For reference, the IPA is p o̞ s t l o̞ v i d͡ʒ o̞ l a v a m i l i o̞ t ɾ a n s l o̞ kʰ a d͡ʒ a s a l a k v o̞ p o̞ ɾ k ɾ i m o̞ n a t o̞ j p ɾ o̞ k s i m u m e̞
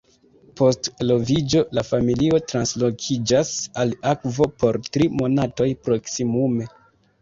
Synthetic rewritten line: p o̞ s t l o̞ v i d͡ʒ o̞ l a f a m i l i o̞ t ɾ a n s l o̞ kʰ i d͡ʒ a s a l a k v o̞ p o̞ ɾ t ɾ i m o̞ n a t o̞ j p ɾ o̞ k s i m u m e̞